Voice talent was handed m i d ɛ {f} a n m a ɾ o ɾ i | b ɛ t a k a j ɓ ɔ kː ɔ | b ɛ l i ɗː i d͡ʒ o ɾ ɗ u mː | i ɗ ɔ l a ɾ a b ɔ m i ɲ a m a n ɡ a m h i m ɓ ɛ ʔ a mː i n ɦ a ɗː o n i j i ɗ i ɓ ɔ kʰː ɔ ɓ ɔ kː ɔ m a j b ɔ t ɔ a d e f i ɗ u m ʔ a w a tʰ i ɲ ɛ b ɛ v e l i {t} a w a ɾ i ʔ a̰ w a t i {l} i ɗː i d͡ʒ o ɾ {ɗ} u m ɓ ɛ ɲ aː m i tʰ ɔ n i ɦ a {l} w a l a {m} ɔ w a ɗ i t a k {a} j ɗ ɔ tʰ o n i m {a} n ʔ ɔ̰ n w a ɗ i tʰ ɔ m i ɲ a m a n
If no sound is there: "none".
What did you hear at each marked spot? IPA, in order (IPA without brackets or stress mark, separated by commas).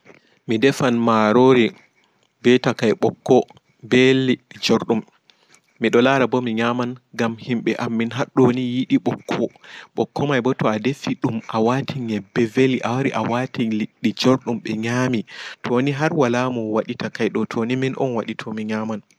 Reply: f, ʔ, l, ɗ, ɾ, m, a, i